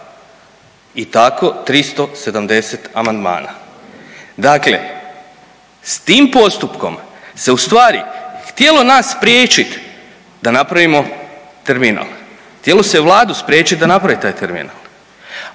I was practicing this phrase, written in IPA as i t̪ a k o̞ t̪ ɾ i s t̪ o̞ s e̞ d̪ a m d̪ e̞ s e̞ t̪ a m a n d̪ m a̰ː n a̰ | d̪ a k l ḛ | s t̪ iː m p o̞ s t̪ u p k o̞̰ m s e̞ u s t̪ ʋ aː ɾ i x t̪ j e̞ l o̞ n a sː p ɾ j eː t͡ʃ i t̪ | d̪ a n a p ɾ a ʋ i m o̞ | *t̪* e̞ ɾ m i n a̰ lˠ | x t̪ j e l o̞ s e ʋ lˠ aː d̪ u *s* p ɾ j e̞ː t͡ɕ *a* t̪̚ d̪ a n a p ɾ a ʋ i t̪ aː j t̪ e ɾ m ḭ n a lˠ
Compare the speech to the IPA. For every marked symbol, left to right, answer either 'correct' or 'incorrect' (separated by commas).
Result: correct, correct, incorrect